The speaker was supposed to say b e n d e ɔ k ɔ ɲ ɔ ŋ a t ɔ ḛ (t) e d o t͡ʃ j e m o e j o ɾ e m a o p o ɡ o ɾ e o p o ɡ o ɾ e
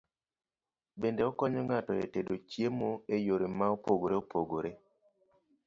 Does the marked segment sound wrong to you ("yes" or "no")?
no